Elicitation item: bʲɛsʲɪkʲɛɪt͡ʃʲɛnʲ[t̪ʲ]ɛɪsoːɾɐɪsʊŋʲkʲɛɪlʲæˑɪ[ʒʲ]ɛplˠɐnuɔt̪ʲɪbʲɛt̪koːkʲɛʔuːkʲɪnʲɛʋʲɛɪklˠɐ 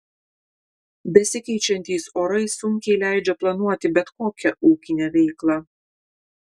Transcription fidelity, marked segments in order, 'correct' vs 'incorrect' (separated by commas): correct, incorrect